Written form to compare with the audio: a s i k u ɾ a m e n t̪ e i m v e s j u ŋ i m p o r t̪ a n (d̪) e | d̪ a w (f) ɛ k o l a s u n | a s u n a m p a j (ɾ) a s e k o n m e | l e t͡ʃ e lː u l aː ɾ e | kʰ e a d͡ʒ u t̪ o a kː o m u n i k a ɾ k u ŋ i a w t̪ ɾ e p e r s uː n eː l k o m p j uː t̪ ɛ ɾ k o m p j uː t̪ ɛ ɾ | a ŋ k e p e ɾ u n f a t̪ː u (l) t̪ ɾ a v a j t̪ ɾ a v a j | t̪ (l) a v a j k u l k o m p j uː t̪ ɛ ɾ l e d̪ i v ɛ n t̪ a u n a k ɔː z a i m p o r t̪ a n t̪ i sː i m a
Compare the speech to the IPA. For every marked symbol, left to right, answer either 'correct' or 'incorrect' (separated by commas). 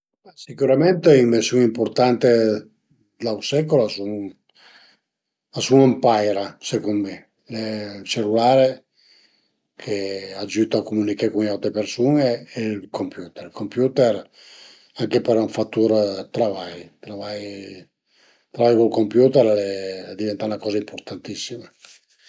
incorrect, incorrect, correct, incorrect, incorrect